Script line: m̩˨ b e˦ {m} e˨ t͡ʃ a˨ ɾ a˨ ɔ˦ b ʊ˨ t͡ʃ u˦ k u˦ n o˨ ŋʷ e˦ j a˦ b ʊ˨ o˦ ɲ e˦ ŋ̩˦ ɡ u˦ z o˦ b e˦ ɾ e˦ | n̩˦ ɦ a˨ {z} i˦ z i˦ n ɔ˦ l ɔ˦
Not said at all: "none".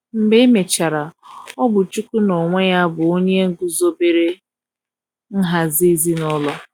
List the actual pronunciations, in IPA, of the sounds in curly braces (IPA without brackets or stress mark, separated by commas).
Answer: m, z